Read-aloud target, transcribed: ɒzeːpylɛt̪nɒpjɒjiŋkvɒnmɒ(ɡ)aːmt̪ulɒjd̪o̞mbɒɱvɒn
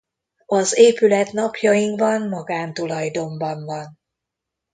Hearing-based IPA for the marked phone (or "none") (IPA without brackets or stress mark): ɡ